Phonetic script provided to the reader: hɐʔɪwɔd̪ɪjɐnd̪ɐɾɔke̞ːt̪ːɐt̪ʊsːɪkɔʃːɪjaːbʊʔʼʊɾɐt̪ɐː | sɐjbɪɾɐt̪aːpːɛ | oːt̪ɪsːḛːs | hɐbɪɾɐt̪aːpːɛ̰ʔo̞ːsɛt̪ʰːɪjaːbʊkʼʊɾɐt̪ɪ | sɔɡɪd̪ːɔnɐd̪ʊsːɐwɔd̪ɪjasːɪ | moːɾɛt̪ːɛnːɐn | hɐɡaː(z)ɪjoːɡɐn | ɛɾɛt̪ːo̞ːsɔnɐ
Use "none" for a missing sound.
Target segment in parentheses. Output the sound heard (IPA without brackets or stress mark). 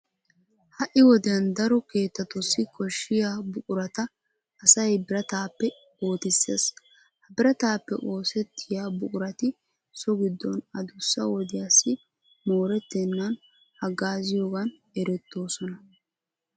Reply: z